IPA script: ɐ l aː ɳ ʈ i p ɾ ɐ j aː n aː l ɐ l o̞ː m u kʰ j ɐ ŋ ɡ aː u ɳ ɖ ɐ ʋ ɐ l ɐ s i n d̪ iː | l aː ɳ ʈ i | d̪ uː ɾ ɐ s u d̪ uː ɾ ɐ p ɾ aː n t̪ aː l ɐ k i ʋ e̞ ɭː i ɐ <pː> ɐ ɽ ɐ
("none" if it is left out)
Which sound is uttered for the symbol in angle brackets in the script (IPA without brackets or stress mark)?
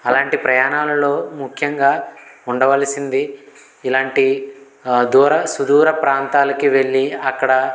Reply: kː